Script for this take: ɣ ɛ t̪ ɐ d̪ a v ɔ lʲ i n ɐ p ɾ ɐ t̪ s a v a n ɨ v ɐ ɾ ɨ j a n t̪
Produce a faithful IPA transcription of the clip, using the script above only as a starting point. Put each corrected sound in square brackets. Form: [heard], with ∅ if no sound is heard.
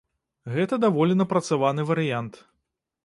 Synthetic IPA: ɣ ɛ t̪ ɐ d̪ a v ɔ lʲ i n ɐ p ɾ ɐ t̪ s a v a n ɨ v ɐ ɾ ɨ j a n t̪